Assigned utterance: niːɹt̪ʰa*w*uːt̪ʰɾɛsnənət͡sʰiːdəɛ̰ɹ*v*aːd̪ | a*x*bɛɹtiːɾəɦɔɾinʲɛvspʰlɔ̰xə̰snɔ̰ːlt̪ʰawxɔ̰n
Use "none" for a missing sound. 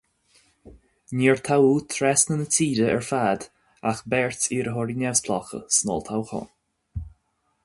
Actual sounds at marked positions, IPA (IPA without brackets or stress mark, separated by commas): w, f, x